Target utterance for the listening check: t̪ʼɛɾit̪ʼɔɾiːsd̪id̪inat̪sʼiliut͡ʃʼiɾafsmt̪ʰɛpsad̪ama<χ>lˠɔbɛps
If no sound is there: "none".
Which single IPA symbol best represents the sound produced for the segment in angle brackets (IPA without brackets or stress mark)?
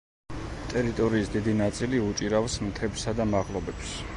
ʁ